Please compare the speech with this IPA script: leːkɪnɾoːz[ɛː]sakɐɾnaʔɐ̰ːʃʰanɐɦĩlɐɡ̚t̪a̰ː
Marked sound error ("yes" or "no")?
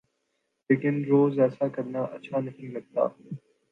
no